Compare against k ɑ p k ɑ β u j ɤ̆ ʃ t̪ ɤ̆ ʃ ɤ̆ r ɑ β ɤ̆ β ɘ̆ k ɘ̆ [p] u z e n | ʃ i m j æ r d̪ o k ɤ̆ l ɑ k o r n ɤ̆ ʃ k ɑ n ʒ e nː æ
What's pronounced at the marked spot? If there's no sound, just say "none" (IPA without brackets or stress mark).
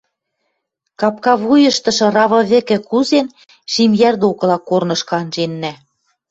k